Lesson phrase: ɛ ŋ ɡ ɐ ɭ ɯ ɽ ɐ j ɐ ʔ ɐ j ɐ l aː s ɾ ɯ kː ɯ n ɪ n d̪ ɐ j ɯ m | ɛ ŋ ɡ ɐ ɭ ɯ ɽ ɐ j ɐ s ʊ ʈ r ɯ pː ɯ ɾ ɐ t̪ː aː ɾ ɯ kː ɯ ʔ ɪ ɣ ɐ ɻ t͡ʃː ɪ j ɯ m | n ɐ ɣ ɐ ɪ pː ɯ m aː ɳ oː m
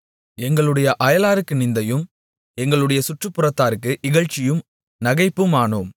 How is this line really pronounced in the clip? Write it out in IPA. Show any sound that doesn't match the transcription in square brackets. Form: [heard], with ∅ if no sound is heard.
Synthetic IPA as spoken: ɛ ŋ ɡ ɐ ɭ ɯ ɽ ɐ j ɐ ʔ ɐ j ɐ l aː [∅] ɾ ɯ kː ɯ n ɪ n d̪ ɐ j ɯ m | ɛ ŋ ɡ ɐ ɭ ɯ ɽ ɐ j ɐ s ʊ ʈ r ɯ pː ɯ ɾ ɐ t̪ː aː ɾ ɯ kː ɯ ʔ ɪ ɣ ɐ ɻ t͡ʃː ɪ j ɯ m | n ɐ ɣ ɐ ɪ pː ɯ m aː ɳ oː m